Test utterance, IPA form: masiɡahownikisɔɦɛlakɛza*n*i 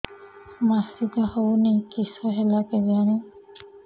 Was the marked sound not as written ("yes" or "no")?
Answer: no